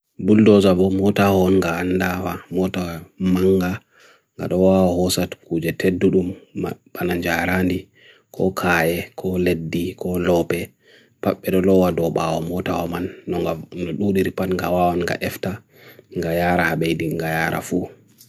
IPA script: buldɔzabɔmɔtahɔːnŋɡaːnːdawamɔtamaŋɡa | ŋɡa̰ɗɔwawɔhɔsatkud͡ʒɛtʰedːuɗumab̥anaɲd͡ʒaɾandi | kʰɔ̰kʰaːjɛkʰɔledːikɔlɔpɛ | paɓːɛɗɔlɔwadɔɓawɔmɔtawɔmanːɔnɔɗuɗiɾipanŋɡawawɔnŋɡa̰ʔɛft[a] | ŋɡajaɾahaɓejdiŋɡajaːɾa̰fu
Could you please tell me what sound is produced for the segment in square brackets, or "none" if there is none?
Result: a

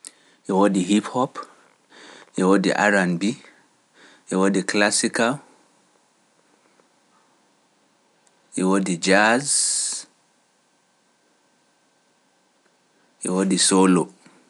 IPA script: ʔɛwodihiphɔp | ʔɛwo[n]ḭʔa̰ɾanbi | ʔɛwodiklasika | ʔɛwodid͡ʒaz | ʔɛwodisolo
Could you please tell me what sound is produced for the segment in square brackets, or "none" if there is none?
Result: d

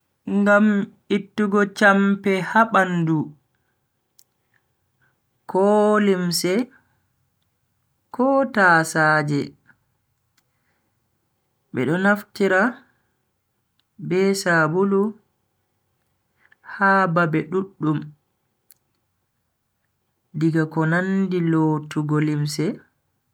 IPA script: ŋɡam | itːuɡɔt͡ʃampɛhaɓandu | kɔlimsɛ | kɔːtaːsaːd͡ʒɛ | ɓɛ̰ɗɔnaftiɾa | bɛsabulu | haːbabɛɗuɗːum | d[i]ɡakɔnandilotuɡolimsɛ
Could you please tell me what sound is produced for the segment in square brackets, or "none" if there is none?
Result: i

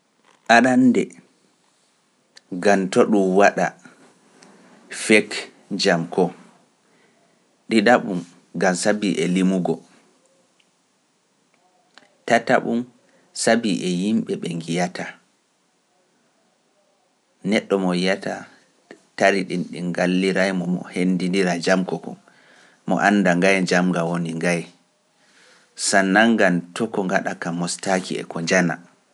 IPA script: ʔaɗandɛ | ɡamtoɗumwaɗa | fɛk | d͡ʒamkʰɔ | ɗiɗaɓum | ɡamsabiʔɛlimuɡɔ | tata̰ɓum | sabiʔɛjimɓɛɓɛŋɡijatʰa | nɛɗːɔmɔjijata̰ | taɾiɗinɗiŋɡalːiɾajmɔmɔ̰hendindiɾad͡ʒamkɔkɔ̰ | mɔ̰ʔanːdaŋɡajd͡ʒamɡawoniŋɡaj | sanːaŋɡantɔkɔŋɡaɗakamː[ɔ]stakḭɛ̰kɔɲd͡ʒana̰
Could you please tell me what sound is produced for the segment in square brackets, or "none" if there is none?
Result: ɔ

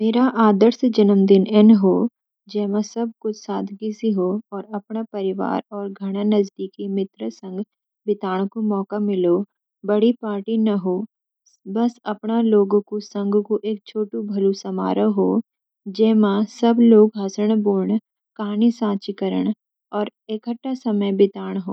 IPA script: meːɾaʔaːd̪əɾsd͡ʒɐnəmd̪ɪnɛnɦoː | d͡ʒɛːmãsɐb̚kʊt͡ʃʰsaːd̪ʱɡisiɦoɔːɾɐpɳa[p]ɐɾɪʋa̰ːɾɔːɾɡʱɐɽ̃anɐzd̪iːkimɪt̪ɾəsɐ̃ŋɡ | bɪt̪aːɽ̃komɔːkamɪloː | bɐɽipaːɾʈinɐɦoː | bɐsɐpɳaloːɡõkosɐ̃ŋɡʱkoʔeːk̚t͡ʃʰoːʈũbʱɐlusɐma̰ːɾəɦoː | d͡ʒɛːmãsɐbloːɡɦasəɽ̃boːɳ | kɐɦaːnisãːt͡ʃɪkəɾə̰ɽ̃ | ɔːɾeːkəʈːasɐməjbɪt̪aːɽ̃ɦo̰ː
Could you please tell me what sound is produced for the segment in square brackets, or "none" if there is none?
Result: p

